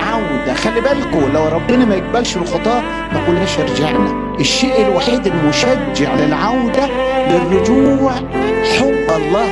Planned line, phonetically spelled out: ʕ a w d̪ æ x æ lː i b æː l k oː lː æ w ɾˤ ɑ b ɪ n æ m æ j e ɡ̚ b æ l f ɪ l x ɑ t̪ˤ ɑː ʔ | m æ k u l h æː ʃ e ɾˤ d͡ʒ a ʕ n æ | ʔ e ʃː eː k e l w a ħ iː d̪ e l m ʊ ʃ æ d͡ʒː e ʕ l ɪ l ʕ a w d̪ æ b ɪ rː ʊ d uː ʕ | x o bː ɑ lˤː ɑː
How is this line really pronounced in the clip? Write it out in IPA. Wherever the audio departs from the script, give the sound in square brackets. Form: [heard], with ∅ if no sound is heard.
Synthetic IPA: ʕ a w d̪ æ x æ lː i b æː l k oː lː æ w ɾˤ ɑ [bː] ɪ n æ m æ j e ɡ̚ b æ l [ʃ] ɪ l x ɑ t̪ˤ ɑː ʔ | m æ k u l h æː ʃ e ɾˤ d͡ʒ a ʕ n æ | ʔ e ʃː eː [ʔ] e l w a ħ iː d̪ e l m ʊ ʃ æ d͡ʒː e ʕ l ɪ l ʕ a w d̪ æ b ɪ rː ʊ [d͡ʒ] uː ʕ | [ħ] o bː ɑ lˤː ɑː